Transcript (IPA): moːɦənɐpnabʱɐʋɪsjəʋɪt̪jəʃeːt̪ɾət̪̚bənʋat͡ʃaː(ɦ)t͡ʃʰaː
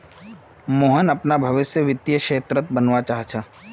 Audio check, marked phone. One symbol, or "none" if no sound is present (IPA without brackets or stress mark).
ɦ